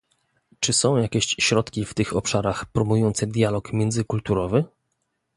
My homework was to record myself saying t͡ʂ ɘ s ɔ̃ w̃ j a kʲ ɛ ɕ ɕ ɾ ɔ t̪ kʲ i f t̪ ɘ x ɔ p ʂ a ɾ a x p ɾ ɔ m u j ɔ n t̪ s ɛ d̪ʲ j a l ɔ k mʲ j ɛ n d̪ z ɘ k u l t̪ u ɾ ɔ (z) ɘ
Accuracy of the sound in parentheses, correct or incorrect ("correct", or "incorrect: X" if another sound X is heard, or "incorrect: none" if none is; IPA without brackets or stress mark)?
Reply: incorrect: v